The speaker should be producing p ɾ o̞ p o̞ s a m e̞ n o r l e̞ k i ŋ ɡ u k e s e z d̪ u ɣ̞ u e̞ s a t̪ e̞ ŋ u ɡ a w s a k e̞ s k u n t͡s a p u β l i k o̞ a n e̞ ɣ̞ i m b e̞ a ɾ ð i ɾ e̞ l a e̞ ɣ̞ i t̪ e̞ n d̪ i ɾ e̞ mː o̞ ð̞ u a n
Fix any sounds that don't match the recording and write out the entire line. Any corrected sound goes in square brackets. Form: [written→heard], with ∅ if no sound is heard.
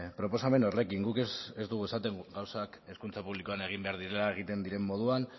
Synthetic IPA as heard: p ɾ o̞ p o̞ s a m e̞ n o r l e̞ k i ŋ ɡ u k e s e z d̪ u ɣ̞ u e̞ s a t̪ e̞ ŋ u ɡ a w s a k e̞ s k u n t͡s a p u β l i k o̞ a n e̞ ɣ̞ i m b e̞ a ɾ ð i ɾ e̞ l a e̞ ɣ̞ i t̪ e̞ n d̪ i ɾ e̞ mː o̞ ð̞ u a n